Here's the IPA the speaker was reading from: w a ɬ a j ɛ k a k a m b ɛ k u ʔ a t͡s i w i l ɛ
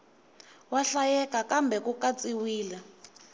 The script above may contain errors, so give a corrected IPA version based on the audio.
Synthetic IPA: w a ɬ a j ɛ k a k a m b ɛ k u k a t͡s i w iː l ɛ